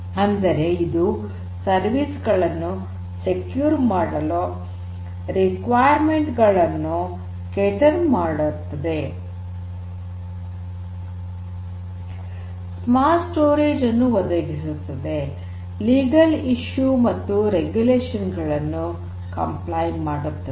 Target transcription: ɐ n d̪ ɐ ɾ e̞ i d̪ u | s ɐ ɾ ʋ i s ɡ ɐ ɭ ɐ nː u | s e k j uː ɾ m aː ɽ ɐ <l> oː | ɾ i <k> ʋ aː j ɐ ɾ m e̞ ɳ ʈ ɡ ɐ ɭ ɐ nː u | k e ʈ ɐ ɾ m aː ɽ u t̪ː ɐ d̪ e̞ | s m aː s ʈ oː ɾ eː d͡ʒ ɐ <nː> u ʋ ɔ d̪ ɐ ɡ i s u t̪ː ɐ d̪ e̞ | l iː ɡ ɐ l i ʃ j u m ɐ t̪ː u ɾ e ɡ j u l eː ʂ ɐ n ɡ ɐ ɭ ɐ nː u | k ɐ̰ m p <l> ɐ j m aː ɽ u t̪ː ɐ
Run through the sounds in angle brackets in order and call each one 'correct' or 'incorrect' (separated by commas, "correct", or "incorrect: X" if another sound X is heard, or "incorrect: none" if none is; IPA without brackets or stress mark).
correct, correct, correct, correct